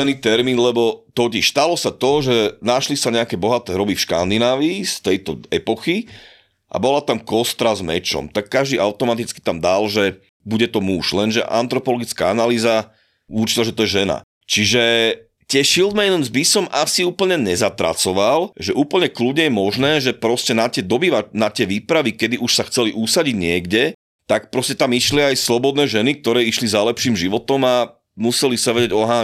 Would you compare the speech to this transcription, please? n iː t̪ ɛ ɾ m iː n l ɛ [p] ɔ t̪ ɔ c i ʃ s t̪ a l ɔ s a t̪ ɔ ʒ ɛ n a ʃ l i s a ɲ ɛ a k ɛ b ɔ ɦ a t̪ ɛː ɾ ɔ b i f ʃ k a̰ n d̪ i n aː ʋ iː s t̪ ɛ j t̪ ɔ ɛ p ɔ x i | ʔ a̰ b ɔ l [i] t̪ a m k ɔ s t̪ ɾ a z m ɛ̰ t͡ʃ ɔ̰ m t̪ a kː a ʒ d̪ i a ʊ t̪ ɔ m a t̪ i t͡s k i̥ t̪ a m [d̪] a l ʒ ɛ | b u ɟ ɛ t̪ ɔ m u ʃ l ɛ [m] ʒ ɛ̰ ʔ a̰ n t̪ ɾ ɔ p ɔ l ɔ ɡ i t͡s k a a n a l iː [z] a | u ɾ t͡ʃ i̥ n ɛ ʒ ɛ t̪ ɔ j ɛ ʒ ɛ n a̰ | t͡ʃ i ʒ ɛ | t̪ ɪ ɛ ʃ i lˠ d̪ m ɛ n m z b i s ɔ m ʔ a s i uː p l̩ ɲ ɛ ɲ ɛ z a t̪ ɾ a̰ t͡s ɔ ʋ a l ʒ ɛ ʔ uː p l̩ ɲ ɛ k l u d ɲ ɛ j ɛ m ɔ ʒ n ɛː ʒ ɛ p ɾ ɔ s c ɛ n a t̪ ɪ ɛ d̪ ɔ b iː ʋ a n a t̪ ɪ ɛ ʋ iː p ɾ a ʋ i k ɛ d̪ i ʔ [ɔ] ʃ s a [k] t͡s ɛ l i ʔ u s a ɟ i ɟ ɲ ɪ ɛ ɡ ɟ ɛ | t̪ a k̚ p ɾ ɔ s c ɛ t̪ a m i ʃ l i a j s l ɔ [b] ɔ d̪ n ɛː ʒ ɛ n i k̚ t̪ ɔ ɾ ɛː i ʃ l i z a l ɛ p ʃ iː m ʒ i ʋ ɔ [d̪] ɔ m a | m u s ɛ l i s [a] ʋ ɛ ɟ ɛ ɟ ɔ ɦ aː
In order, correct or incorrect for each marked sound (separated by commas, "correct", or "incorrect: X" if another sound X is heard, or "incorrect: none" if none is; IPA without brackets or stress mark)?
incorrect: b, incorrect: a, correct, incorrect: n, correct, incorrect: u, incorrect: x, correct, incorrect: t̪, correct